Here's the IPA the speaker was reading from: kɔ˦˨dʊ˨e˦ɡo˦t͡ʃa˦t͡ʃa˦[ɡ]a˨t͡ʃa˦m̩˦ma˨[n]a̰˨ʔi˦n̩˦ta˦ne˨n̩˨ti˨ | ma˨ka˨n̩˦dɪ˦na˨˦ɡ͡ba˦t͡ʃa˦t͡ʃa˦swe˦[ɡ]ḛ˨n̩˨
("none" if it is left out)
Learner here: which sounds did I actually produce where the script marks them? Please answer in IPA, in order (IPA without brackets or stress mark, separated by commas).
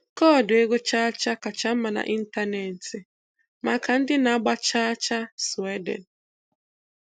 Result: k, n, d